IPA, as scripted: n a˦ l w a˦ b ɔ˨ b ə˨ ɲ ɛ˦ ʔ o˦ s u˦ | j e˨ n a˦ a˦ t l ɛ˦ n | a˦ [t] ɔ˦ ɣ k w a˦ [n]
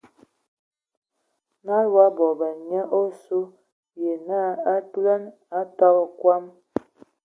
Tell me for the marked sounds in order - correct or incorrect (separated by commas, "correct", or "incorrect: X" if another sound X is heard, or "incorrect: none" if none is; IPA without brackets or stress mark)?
correct, incorrect: m